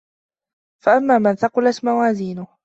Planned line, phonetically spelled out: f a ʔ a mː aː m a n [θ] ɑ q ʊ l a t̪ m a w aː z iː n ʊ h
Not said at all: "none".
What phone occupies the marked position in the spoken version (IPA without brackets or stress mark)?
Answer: θ